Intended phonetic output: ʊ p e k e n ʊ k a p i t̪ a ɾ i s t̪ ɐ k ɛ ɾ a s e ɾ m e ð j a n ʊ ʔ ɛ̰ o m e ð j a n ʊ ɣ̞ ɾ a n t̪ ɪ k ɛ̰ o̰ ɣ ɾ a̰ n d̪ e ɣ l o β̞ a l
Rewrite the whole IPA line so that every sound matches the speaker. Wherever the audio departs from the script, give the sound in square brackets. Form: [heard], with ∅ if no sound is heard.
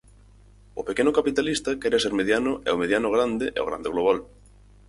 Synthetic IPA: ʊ p e k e n ʊ k a p i t̪ a [l] i s t̪ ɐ k ɛ ɾ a s e ɾ m e ð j a n ʊ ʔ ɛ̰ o m e ð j a n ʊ ɣ̞ ɾ a n [d̪] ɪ [ʔ] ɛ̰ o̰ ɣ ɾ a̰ n d̪ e ɣ l o β̞ a l